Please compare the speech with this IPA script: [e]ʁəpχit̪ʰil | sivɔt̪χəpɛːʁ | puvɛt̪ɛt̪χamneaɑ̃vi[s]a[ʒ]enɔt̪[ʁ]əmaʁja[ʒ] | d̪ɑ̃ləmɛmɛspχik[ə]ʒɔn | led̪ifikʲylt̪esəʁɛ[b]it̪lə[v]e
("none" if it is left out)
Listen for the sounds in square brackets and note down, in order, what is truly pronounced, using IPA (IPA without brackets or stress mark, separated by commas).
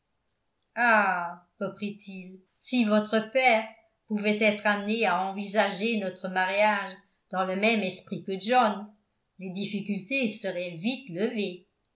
a, z, ʒ, χ, ʒ, ə, v, v